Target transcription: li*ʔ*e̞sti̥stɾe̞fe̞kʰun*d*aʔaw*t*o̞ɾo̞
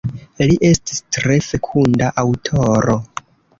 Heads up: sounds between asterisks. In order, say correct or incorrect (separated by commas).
correct, correct, incorrect